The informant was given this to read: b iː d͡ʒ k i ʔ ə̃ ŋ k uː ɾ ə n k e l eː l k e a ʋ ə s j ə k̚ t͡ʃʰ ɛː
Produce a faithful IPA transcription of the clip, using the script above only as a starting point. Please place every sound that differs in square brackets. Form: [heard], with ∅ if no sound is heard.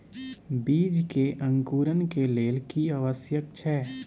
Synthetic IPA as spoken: b iː d͡ʒ k [e] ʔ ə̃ ŋ k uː ɾ ə n k e l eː l k [i] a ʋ ə s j ə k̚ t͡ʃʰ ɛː